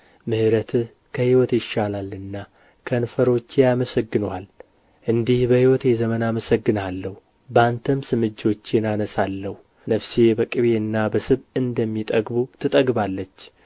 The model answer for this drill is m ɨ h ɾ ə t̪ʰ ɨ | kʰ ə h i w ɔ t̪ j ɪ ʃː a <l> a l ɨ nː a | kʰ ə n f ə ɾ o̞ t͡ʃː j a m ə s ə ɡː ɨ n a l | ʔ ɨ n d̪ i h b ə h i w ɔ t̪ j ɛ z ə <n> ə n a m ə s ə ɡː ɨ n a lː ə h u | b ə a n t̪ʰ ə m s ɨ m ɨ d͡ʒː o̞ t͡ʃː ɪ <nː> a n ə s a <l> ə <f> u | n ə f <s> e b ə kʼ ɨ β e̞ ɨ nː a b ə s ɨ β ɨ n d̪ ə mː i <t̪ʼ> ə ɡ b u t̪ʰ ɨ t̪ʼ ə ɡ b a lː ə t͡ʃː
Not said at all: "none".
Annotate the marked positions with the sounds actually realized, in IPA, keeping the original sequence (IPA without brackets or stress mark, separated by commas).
l, m, n, lː, h, s, t̪ʼ